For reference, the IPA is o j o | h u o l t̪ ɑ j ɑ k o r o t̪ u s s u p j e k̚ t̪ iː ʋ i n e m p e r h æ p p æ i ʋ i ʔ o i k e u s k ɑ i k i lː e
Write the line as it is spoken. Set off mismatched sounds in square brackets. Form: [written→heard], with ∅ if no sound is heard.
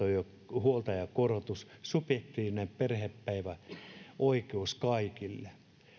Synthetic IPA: o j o | h u o l t̪ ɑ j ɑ k o r o t̪ u s s u p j e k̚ t̪ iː ʋ i n e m p e r h [æ→e] p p æ i ʋ [i→æ] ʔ o i k e u s k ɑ i k i lː e